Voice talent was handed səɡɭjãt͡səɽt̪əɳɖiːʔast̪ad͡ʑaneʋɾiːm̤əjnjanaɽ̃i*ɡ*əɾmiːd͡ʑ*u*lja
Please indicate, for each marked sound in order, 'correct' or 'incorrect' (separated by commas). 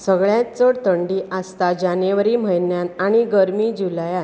correct, correct